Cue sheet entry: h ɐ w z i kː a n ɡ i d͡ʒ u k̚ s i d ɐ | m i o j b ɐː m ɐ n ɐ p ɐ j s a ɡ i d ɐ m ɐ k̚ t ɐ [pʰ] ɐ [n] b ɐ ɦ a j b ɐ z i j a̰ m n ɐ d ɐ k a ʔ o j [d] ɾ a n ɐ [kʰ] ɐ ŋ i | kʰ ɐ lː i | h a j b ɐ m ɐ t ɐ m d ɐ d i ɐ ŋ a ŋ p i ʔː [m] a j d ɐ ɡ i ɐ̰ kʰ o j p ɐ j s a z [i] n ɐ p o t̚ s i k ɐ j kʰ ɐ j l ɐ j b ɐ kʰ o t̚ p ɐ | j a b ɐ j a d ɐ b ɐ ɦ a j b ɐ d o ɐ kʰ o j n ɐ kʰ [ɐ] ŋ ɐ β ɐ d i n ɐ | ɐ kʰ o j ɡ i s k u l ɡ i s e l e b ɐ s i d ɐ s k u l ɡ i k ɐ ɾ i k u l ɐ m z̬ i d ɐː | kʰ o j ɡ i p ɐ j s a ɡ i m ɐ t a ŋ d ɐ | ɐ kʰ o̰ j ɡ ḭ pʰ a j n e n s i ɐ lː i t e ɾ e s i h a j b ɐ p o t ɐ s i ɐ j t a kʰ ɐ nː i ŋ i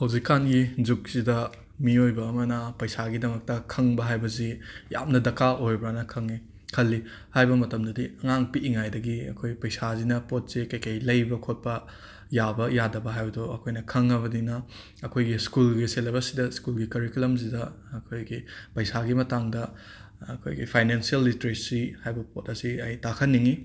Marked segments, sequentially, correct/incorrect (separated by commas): incorrect, incorrect, incorrect, correct, incorrect, correct, correct